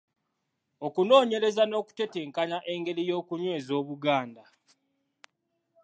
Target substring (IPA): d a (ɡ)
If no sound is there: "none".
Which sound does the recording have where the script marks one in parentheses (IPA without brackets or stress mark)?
none